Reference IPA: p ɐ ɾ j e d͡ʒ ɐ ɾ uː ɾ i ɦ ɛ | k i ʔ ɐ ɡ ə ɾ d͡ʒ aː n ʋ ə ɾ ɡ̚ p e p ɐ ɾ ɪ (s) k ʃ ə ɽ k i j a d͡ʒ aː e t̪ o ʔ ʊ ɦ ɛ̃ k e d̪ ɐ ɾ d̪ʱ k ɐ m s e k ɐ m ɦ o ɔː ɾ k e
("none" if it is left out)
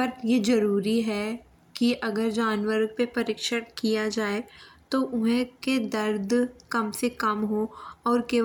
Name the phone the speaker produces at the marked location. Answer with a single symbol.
none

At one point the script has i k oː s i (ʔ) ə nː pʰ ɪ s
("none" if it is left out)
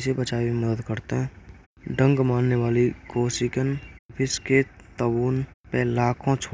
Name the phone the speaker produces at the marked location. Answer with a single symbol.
k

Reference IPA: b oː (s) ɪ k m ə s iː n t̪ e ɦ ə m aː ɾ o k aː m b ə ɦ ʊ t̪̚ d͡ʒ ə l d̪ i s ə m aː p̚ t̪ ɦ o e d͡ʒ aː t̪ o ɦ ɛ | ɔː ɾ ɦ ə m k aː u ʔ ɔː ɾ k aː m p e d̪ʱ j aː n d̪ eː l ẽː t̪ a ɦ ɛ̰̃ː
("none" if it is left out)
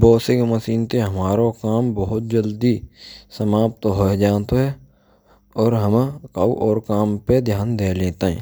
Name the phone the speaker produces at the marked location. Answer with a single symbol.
s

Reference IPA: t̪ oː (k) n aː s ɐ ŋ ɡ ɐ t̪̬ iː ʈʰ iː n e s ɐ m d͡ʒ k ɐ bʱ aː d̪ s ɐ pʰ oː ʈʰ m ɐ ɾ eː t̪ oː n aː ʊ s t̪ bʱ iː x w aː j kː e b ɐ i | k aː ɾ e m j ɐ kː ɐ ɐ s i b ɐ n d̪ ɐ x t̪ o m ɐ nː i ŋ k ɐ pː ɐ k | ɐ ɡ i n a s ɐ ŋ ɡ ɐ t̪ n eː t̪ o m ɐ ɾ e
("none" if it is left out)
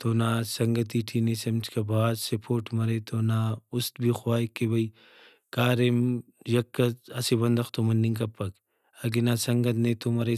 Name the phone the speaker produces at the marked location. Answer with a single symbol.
none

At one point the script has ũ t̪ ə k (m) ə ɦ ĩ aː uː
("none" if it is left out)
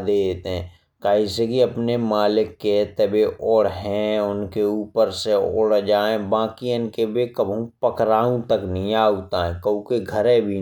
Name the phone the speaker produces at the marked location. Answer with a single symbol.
n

